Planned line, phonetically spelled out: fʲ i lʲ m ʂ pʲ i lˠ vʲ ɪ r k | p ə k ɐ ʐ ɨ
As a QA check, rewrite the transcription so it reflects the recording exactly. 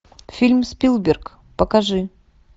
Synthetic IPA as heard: fʲ i lʲ m s pʲ i lˠ bʲ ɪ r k | p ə k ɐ ʐ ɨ

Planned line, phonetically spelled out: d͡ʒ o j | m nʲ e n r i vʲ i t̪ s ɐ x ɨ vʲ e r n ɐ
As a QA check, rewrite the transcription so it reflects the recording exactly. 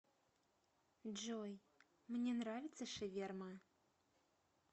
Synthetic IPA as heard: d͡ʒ o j | m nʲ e n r a vʲ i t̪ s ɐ ʂ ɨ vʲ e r m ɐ

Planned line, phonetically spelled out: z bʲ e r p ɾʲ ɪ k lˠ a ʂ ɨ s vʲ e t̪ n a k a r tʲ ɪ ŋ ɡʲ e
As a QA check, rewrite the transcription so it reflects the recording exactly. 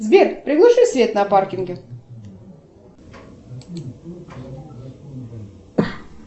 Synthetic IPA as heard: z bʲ e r p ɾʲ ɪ ɡ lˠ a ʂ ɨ s vʲ e t̪ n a p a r kʲ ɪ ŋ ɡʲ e

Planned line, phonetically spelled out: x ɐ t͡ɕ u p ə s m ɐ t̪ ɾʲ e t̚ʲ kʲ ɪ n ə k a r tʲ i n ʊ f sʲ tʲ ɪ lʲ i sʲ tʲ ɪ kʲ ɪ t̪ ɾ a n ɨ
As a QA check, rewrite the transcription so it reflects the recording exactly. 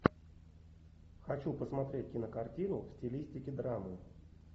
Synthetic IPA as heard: x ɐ t͡ɕ u p ə s m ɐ t̪ ɾʲ e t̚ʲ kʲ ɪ n ə k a r tʲ i n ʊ f sʲ tʲ ɪ lʲ i sʲ tʲ ɪ kʲ ɪ d̪ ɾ a m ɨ

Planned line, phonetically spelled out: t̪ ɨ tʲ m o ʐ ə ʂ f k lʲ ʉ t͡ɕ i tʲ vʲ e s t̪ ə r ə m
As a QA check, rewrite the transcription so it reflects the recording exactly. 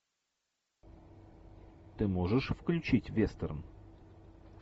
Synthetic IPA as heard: t̪ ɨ m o ʐ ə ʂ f k lʲ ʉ t͡ɕ i tʲ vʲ e s t̪ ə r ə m

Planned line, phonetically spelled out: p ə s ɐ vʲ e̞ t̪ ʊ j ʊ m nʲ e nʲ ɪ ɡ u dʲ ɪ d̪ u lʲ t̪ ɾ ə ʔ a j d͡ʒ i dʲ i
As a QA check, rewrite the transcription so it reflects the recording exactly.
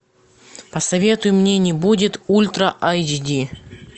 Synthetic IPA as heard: p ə s ɐ vʲ e̞ t̪ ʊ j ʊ m nʲ e nʲ ɪ b u dʲ ɪ t̪ u lʲ t̪ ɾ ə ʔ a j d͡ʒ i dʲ i

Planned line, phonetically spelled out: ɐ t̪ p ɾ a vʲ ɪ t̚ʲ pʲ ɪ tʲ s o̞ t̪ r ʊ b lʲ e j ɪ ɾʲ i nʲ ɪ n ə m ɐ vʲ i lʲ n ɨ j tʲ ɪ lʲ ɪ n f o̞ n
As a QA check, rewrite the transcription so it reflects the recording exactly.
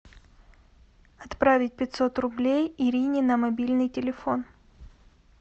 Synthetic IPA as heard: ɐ t̪ p ɾ a vʲ ɪ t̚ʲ pʲ ɪ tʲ s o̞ t̪ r ʊ b lʲ e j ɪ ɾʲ i nʲ ɪ n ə m ɐ bʲ i lʲ n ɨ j tʲ ɪ lʲ ɪ f o̞ n

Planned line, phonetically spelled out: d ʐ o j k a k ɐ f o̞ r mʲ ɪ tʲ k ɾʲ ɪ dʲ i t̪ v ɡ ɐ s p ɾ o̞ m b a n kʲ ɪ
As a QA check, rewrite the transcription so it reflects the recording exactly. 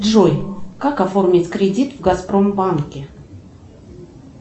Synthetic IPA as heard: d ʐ o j k a k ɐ f o̞ r mʲ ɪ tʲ k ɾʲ ɪ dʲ i t̪ v ɡ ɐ s p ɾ o̞ m b a n kʲ ɪ

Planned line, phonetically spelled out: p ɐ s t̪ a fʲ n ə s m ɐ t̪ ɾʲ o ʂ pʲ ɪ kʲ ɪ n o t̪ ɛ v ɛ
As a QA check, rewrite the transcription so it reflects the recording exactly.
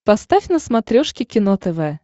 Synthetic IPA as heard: p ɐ s t̪ a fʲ n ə s m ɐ t̪ ɾʲ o ʂ kʲ ɪ kʲ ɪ n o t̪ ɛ v ɛ

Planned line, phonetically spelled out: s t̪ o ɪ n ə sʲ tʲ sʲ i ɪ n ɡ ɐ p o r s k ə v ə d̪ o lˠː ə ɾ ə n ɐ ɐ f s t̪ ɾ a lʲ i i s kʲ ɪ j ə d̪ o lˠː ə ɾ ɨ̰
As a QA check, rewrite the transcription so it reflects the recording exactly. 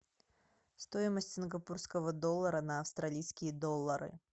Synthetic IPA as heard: s t̪ o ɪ m ə sʲ tʲ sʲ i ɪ n ɡ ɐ p u r s k ə v ə d̪ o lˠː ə ɾ ə n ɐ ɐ f s t̪ ɾ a lʲ i j s kʲ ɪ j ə d̪ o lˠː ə ɾ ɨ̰

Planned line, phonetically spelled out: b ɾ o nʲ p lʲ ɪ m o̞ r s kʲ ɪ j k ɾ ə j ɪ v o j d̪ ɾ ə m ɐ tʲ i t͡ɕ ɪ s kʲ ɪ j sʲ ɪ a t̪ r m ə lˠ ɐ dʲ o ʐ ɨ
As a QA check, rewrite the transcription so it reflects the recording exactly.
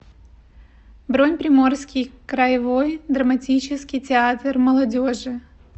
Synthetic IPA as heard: b ɾ o nʲ p ɾʲ ɪ m o̞ r s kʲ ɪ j k ɾ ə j ɪ v o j d̪ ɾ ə m ɐ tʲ i t͡ɕ ɪ s kʲ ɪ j tʲ ɪ a t̪ r m ə lˠ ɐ dʲ o ʐ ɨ

